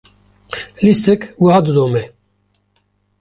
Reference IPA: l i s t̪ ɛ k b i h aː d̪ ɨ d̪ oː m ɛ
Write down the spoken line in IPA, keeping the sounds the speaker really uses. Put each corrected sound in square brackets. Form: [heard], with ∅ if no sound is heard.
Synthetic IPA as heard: l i s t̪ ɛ k [w] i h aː d̪ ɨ d̪ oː m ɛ